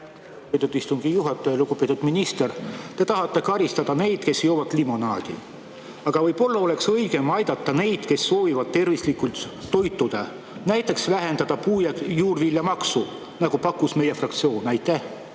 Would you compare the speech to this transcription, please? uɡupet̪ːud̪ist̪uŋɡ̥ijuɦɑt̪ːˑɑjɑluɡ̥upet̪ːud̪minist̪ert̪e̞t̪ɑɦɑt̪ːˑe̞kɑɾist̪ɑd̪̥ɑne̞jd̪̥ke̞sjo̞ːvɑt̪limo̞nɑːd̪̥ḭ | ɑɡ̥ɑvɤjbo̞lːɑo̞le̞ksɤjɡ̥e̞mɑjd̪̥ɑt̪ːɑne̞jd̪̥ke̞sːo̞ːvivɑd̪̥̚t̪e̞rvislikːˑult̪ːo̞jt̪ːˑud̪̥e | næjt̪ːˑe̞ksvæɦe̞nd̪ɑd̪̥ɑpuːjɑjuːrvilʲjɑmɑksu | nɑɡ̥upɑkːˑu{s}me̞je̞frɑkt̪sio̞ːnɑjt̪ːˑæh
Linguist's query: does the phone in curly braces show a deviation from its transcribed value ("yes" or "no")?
no